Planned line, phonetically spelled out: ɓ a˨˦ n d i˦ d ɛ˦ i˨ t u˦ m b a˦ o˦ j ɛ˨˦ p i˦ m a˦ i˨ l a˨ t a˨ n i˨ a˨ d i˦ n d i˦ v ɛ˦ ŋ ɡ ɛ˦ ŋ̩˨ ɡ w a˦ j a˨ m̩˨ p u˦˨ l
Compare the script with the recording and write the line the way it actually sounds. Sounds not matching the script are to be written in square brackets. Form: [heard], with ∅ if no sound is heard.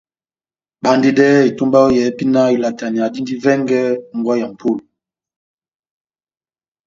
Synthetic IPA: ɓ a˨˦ n d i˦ d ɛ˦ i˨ t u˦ m b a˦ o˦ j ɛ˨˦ p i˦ [n] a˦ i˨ l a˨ t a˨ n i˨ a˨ d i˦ n d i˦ v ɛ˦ ŋ ɡ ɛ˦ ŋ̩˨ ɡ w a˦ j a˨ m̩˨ p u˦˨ l